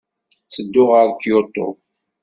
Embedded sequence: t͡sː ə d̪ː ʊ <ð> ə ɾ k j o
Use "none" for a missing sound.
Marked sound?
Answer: ʁ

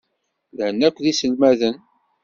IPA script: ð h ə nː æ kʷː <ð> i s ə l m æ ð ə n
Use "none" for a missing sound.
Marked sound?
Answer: ð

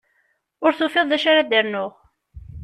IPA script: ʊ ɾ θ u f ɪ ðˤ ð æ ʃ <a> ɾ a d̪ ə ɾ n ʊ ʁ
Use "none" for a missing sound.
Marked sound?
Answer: a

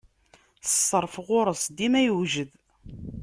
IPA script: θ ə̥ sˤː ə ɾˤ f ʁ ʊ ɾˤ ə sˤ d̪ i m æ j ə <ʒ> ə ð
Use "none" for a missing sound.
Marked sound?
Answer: ʒ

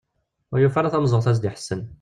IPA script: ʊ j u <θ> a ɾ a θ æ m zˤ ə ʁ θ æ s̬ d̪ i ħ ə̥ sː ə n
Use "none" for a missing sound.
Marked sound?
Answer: f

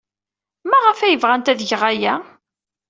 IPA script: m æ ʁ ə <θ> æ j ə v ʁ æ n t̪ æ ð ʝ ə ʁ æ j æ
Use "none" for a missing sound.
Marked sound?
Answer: f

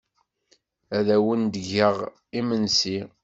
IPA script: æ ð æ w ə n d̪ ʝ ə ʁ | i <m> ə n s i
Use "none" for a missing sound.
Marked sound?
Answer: m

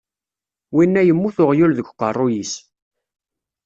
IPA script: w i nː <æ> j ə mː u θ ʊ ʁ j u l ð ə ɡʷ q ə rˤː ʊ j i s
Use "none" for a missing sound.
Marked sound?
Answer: æ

